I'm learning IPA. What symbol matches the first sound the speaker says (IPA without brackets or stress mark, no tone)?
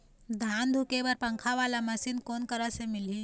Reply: d̪ʱ